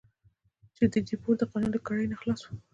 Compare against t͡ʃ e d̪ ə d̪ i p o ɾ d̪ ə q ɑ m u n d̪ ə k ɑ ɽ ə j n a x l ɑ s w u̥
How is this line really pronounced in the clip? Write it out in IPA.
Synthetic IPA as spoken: t͡ʃ e d̪ ə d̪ i p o ɾ d̪ ə q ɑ n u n d̪ ə k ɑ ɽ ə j n a x l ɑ s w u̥